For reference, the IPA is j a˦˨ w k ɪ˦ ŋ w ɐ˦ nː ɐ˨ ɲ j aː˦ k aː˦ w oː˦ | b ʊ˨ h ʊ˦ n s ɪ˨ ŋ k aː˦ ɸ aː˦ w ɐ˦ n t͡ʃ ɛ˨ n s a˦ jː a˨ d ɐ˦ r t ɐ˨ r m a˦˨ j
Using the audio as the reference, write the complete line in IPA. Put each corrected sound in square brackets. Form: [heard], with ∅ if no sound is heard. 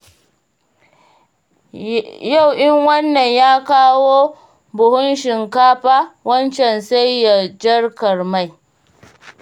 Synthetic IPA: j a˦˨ w [ʔ] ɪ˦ ŋ w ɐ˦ nː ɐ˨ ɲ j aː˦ k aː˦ w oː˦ | b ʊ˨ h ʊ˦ n [ʃ] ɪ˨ ŋ k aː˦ ɸ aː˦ w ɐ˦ n t͡ʃ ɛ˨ n s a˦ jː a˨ [d͡ʒ] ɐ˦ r [k] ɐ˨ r m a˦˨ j